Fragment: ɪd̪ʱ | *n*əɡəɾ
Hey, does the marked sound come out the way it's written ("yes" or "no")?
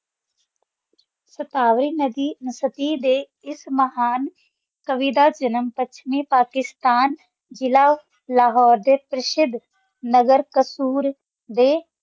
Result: yes